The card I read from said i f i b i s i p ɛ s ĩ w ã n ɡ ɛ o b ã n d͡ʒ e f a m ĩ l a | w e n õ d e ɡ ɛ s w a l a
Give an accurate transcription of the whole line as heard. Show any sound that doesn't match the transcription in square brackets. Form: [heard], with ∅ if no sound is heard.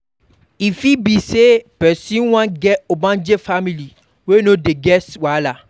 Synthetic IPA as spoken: i f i b i s [e] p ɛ s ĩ w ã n ɡ ɛ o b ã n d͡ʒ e f a m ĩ l [i] | w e n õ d e ɡ ɛ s w a l a